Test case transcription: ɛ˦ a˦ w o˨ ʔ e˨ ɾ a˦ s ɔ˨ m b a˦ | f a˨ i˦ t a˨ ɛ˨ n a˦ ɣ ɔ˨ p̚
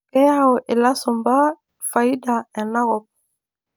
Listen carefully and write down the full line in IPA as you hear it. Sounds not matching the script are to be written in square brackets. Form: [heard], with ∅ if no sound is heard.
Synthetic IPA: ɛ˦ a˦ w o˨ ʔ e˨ [l] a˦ s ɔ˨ m b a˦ | f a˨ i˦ [d] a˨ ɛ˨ n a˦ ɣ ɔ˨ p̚